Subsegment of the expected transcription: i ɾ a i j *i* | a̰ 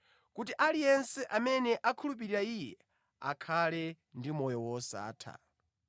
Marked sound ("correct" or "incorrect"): incorrect